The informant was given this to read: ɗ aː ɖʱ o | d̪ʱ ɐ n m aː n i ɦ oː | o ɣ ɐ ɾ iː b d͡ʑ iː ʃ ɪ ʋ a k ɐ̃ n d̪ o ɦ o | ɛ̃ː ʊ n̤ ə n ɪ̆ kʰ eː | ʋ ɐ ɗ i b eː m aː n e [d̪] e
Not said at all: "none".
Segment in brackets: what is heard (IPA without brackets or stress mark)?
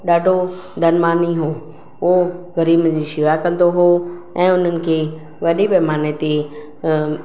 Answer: t̪